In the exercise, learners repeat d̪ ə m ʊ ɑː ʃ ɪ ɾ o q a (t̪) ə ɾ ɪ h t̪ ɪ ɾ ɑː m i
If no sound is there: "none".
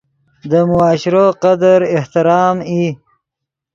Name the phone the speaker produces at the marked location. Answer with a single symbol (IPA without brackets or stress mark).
d̪